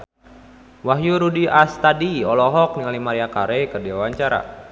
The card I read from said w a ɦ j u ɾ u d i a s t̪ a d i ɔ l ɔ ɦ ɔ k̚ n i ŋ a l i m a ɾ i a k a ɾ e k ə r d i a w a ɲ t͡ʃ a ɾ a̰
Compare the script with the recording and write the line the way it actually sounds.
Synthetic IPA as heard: w a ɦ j u ɾ u d i a s t̪ a d i ɔ l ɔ ɦ ɔ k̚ n i ŋ a l i m a ɾ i a k a ɾ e k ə r d i a w a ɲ t͡ʃ a ɾ a̰